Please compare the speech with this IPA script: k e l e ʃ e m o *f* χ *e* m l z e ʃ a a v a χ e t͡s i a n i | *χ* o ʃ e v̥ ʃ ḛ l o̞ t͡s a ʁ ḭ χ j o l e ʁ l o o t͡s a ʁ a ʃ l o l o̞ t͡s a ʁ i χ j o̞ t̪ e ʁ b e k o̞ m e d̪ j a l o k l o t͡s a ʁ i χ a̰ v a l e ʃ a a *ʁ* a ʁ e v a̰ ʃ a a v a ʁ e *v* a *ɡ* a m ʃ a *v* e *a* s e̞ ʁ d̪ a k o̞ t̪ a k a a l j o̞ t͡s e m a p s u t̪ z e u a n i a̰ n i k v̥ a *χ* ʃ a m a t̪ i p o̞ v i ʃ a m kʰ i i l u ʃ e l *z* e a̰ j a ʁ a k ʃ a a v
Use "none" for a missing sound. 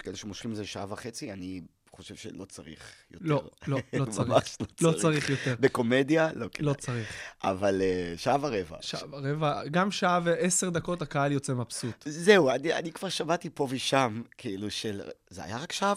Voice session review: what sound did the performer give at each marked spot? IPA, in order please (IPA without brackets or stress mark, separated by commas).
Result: ʃ, i, χ, v, v, ɡ, v, e, ʁ, z